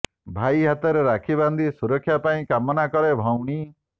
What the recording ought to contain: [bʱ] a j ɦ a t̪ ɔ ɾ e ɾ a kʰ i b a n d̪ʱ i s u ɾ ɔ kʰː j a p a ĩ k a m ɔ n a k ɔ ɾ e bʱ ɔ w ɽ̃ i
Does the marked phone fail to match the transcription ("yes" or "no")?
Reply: no